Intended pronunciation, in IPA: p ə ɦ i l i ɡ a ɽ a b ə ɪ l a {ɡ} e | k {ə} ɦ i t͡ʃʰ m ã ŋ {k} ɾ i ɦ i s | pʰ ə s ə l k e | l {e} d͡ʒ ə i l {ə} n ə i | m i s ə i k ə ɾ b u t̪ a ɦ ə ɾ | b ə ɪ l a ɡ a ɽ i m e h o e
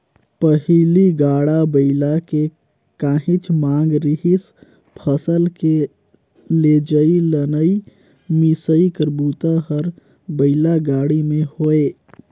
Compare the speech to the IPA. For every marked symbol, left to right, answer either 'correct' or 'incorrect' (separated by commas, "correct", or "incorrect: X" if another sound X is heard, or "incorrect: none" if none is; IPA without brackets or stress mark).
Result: incorrect: k, incorrect: a, incorrect: ɡ, correct, correct